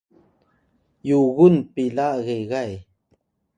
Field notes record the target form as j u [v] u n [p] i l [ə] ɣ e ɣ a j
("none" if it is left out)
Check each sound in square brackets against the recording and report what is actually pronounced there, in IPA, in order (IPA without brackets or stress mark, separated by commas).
ɣ, p, a